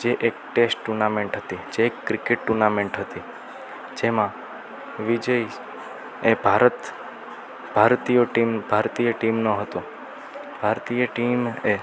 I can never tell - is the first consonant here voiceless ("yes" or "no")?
no